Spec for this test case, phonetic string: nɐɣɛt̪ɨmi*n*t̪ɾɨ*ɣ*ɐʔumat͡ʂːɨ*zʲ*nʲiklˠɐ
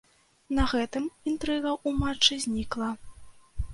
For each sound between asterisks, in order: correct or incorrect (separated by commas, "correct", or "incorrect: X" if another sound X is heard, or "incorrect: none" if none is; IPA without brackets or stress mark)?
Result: correct, correct, correct